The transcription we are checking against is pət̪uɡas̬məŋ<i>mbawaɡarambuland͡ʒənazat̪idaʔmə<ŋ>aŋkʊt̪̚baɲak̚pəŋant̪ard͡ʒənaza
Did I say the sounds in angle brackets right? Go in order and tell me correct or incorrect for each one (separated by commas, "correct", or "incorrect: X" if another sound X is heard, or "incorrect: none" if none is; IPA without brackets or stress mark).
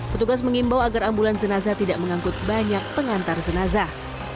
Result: correct, correct